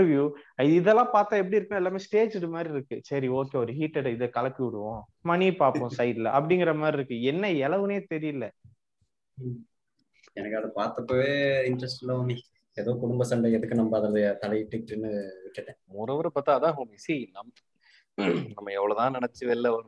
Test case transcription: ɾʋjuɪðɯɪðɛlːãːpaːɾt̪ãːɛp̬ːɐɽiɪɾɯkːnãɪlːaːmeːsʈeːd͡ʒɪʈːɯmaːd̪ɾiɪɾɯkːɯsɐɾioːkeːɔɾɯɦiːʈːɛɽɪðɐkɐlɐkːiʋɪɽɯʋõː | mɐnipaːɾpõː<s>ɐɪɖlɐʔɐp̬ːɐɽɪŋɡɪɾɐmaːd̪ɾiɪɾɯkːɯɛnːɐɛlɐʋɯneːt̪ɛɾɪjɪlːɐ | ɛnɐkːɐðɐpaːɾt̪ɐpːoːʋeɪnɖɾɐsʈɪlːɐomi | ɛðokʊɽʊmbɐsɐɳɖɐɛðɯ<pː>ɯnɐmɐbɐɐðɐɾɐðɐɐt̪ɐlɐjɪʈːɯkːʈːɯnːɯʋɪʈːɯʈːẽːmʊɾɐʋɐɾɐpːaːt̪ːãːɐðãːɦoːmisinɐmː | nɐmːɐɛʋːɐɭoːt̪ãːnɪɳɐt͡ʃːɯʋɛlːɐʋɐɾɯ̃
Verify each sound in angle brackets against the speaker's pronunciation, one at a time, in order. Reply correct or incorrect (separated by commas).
correct, incorrect